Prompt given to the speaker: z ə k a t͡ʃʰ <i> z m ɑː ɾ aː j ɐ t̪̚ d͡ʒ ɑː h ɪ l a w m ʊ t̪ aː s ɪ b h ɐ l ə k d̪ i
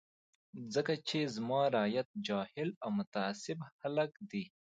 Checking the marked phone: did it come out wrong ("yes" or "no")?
yes